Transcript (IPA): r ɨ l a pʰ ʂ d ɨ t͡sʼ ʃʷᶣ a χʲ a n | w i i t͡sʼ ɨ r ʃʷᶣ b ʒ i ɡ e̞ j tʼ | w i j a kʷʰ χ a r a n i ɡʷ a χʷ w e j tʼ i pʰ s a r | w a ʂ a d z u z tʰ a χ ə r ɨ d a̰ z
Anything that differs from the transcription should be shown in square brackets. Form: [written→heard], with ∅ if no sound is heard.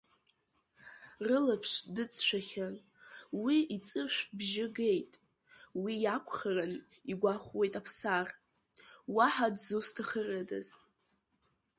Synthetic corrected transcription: r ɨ l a pʰ ʂ d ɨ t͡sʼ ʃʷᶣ a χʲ a n | w i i t͡sʼ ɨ r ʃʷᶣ b ʒ [i→ɪ] ɡ e̞ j tʼ | w i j a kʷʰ χ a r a n i ɡʷ a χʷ w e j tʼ [i→a] pʰ s a r | w a [ʂ→ħ] a d z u [z→s] tʰ a χ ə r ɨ d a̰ z